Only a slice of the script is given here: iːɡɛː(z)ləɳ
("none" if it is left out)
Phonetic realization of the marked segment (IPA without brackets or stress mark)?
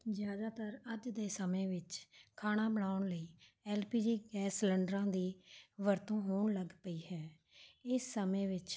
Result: s